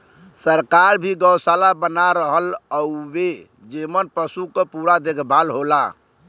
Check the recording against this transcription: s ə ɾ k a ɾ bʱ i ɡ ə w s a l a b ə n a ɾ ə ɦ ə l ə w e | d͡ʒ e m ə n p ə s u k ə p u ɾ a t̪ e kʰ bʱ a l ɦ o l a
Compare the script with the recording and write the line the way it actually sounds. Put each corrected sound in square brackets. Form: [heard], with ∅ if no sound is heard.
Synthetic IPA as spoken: s ə ɾ k a ɾ bʱ i ɡ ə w s a l a b ə n a ɾ ə ɦ ə l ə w e | d͡ʒ e m ə n p ə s u k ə p u ɾ a [d̪] e kʰ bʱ a l ɦ o l a